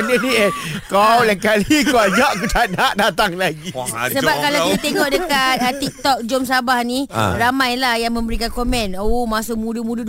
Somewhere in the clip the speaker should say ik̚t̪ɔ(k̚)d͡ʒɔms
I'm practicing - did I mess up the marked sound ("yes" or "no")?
no